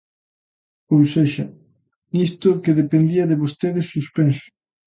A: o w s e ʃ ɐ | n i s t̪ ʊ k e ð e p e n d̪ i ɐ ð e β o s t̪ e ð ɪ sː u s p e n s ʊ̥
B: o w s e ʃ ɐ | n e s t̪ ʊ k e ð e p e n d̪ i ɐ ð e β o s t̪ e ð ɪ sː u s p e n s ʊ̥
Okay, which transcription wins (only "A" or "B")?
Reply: A